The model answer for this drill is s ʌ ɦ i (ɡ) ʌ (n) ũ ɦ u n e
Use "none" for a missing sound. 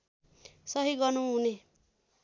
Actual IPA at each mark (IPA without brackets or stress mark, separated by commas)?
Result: ɡ, n